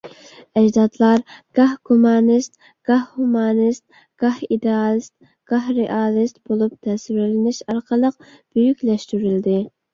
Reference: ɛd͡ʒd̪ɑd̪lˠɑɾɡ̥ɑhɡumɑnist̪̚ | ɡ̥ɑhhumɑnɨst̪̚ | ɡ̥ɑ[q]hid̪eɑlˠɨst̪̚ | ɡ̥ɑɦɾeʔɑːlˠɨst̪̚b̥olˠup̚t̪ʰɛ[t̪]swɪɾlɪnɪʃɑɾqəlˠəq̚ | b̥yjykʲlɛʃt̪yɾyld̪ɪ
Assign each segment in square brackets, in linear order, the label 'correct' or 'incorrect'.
incorrect: none, incorrect: none

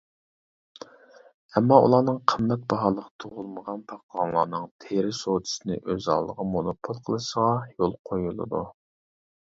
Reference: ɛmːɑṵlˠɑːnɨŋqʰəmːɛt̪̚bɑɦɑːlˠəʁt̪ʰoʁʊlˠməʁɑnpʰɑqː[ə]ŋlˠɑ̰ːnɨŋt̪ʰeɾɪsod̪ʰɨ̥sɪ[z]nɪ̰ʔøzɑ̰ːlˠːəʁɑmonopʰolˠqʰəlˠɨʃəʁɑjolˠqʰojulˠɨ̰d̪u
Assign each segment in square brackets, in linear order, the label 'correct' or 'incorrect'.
incorrect: ɑ, incorrect: none

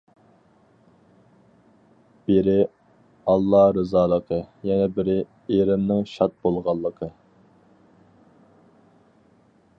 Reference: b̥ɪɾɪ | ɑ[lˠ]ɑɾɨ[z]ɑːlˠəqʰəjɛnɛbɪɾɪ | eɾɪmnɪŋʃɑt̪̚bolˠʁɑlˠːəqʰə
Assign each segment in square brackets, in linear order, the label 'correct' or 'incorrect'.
incorrect: lˠː, correct

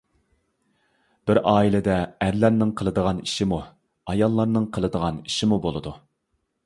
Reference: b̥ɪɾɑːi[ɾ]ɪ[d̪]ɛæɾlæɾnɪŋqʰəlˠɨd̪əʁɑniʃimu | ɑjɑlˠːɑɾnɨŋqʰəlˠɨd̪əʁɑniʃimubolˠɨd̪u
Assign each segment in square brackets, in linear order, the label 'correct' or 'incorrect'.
incorrect: l, correct

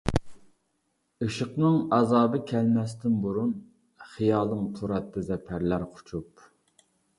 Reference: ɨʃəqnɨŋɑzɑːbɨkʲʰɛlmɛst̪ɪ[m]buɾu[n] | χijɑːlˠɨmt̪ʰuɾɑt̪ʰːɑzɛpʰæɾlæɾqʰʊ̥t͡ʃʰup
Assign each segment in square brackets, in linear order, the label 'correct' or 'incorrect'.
incorrect: n, correct

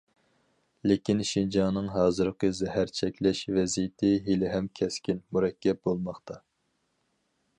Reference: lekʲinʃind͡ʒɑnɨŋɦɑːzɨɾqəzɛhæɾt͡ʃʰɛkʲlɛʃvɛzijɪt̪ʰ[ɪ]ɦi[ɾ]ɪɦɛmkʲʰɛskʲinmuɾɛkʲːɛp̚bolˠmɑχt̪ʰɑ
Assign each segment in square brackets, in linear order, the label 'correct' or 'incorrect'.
correct, incorrect: l

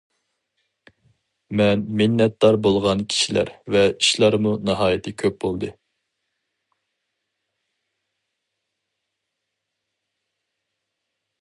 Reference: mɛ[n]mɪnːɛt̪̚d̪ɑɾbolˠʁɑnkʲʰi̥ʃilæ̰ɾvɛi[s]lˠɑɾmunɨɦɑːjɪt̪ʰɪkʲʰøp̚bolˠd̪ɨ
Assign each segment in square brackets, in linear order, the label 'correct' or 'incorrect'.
correct, incorrect: ʃ

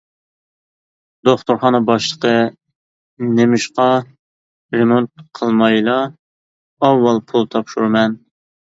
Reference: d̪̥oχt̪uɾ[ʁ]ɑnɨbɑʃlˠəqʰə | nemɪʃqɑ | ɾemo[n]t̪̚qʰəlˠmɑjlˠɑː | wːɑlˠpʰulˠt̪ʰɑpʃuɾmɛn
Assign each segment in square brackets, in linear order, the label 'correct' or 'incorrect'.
incorrect: χ, correct

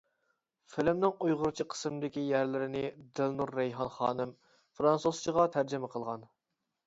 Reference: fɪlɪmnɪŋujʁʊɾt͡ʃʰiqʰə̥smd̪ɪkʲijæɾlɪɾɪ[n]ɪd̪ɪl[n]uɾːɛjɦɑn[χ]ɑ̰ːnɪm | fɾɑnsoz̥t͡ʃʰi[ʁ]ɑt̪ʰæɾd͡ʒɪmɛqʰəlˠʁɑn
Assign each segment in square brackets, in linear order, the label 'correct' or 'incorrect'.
correct, correct, correct, correct

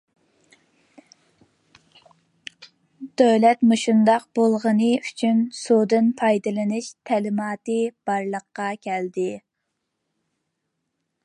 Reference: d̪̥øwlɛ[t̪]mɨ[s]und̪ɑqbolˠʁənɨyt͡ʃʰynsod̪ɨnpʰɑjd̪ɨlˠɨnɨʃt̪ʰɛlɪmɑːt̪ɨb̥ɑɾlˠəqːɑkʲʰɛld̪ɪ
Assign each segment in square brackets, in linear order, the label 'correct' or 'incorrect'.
correct, incorrect: ʃ

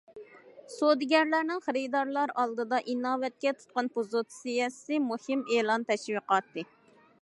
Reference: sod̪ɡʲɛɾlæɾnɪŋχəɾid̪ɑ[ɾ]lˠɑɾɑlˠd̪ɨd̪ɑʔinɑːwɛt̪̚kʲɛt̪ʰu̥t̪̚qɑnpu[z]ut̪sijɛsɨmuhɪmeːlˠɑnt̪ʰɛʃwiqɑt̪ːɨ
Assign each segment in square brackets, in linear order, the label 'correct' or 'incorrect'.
correct, correct

